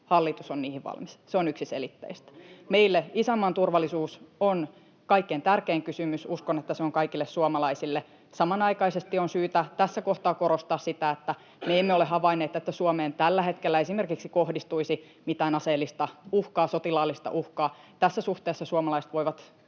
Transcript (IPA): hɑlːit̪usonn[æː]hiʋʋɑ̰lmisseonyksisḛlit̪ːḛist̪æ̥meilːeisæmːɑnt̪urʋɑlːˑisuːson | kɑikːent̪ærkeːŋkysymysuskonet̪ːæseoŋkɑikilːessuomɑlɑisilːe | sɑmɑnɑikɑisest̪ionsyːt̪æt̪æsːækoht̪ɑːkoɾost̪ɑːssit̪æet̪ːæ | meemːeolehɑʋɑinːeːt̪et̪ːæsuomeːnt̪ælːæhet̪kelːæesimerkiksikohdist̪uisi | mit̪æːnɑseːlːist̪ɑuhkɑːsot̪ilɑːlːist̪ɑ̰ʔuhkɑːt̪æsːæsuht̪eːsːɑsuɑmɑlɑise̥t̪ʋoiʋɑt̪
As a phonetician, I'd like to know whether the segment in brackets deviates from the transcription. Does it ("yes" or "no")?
yes